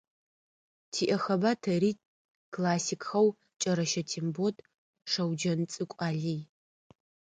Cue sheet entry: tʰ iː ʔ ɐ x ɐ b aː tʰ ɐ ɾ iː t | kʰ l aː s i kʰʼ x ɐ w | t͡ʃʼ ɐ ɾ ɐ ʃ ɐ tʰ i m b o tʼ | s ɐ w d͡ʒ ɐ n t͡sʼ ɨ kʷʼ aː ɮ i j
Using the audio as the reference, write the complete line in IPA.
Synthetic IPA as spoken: tʰ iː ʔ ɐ x ɐ b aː tʰ ɐ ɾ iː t | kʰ l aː s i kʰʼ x ɐ w | t͡ʃʼ ɐ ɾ ɐ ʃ ɐ tʰ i m b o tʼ | ʂ ɐ w d͡ʒ ɐ n t͡sʼ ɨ kʷʼ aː ɮ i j